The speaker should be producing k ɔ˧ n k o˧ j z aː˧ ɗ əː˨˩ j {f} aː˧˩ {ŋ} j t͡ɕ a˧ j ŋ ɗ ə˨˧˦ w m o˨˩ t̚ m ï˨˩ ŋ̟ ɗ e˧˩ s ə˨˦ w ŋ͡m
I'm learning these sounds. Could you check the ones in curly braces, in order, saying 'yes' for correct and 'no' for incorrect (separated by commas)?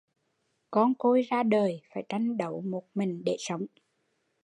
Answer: yes, no